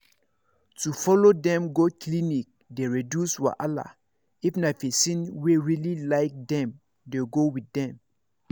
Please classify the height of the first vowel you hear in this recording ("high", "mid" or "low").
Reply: high